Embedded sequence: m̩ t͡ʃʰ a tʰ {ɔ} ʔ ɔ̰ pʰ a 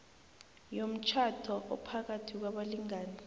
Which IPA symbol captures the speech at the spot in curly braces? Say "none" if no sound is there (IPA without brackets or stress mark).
ɔ